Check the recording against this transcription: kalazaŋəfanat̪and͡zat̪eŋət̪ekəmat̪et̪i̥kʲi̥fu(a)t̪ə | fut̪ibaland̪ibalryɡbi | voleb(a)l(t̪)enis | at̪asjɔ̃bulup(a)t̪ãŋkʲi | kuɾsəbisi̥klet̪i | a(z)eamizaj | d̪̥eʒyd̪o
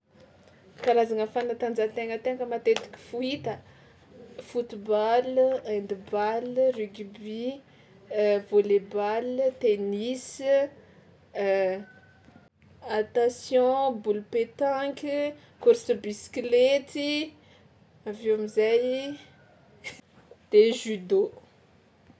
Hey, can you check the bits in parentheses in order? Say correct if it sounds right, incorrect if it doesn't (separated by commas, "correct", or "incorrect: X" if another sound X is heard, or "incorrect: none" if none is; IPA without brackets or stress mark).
incorrect: i, correct, correct, incorrect: e, incorrect: v